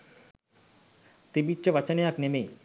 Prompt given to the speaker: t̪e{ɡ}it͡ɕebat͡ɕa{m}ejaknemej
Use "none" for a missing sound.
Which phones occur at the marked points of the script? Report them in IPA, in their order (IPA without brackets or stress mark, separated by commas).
b, n